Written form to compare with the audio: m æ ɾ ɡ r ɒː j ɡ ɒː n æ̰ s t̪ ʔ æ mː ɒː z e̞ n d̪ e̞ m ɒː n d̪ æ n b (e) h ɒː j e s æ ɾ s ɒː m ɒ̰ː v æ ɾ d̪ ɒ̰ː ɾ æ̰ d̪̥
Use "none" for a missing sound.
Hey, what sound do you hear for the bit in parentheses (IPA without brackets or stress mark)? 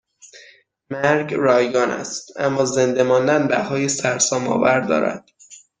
æ